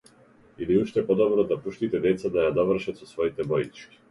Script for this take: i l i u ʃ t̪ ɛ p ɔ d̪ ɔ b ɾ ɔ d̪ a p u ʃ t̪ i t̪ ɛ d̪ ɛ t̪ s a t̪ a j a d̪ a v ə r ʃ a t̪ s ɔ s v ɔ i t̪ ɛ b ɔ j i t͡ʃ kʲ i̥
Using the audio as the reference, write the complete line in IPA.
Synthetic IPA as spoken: i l i u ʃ t̪ ɛ p ɔ d̪ ɔ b ɾ ɔ d̪ a p u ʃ t̪ i t̪ ɛ d̪ ɛ t̪ s a d̪ a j a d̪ a v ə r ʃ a t̪ s ɔ s v ɔ i t̪ ɛ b ɔ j i t͡ʃ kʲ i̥

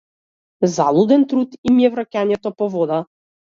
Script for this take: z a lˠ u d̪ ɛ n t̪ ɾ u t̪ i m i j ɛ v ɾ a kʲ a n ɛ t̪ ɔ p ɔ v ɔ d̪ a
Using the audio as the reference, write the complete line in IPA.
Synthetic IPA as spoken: z a lˠ u d̪ ɛ n t̪ ɾ u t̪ i m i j ɛ v ɾ a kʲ a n ɛ t̪ ɔ p ɔ v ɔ d̪ a

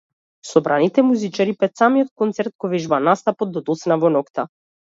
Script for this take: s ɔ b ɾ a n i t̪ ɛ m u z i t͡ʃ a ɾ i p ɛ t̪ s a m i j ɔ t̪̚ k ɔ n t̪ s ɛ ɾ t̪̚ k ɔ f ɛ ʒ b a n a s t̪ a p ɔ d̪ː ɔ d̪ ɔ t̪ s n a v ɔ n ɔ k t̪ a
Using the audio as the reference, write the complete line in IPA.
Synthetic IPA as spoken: s ɔ b ɾ a n i t̪ ɛ m u z i t͡ʃ a ɾ i p ɛ t̪ s a m i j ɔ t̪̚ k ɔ n t̪ s ɛ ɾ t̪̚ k ɔ v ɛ ʒ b a n a s t̪ a p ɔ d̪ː ɔ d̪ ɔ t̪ s n a v ɔ n ɔ k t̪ a

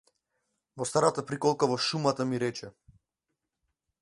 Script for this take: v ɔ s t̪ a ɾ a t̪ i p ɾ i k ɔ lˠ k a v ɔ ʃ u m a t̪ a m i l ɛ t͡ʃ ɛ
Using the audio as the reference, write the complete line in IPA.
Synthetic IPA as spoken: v ɔ s t̪ a ɾ a t̪ a p ɾ i k ɔ lˠ k a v ɔ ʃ u m a t̪ a m i ɾ ɛ t͡ʃ ɛ

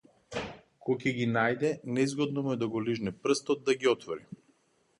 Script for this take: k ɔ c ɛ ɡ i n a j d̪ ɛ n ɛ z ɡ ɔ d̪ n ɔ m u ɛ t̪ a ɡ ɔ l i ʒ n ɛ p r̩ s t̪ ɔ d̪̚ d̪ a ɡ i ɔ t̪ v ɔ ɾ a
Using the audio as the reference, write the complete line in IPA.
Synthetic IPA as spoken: k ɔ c ɛ ɡ i n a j d̪ ɛ n ɛ z ɡ ɔ d̪ n ɔ m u ɛ d̪ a ɡ ɔ l i ʒ n ɛ p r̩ s t̪ ɔ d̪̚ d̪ a ɡ i ɔ t̪ v ɔ ɾ i

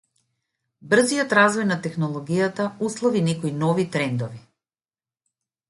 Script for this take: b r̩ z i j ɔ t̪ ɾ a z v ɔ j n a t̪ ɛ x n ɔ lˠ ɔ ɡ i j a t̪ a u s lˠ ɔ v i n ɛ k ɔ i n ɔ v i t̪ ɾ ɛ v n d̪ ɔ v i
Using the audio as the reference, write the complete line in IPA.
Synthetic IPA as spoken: b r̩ z i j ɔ t̪ ɾ a z v ɔ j n a t̪ ɛ x n ɔ lˠ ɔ ɡ i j a t̪ a u s lˠ ɔ v i n ɛ k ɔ i n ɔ v i t̪ ɾ ɛ n d̪ ɔ v i

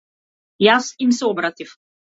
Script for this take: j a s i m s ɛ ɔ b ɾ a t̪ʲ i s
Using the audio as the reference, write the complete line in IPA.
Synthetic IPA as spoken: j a s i m s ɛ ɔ b ɾ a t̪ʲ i f

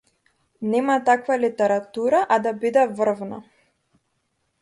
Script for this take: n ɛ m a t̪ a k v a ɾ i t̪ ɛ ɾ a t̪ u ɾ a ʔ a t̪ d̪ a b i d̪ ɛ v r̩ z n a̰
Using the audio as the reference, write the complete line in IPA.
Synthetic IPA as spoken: n ɛ m a t̪ a k v a l i t̪ ɛ ɾ a t̪ u ɾ a ʔ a d̪ a b i d̪ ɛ v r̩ v n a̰

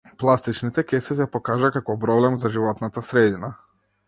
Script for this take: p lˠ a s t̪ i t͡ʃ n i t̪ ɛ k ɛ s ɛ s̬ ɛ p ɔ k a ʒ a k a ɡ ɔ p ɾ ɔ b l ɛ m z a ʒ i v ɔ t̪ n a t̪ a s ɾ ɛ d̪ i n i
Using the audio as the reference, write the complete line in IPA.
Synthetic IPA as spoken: p lˠ a s t̪ i t͡ʃ n i t̪ ɛ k ɛ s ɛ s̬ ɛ p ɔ k a ʒ a k a k ɔ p ɾ ɔ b l ɛ m z a ʒ i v ɔ t̪ n a t̪ a s ɾ ɛ d̪ i n a

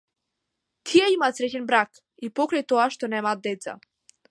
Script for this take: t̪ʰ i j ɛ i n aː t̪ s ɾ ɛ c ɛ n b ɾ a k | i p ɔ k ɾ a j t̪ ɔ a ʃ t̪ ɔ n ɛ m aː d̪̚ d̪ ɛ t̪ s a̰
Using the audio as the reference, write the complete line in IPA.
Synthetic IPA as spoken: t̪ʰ i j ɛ i m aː t̪ s ɾ ɛ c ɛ n b ɾ a k | i p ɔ k ɾ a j t̪ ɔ a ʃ t̪ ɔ n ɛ m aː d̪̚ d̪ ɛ t̪ s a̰

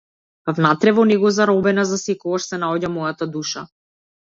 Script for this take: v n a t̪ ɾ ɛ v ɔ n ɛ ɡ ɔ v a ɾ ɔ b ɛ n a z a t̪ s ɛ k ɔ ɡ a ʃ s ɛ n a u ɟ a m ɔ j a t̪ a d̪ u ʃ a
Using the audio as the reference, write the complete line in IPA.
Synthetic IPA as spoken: v n a t̪ ɾ ɛ v ɔ n ɛ ɡ ɔ z a ɾ ɔ b ɛ n a z a s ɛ k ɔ ɡ a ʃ s ɛ n a ɔ ɟ a m ɔ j a t̪ a d̪ u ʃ a

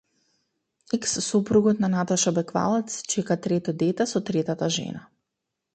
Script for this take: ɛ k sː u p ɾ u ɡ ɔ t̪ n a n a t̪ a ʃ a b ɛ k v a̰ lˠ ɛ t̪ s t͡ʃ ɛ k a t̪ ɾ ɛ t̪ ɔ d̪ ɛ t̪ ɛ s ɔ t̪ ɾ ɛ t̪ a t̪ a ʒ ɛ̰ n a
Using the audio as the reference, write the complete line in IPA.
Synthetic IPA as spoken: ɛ k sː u p ɾ u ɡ ɔ t̪ n a n a t̪ a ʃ a b ɛ k v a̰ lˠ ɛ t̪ s t͡ʃ ɛ k a t̪ ɾ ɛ t̪ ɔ d̪ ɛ t̪ ɛ s ɔ t̪ ɾ ɛ t̪ a t̪ a ʒ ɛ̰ n a

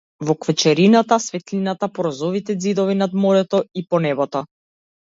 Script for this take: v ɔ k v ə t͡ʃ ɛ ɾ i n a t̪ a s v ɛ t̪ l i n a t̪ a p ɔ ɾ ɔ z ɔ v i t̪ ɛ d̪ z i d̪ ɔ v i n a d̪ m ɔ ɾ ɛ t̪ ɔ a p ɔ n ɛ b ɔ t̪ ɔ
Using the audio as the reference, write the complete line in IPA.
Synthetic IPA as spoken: v ɔ k v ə t͡ʃ ɛ ɾ i n a t̪ a s v ɛ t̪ l i n a t̪ a p ɔ ɾ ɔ z ɔ v i t̪ ɛ d̪ z i d̪ ɔ v i n a d̪ m ɔ ɾ ɛ t̪ ɔ i p ɔ n ɛ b ɔ t̪ ɔ

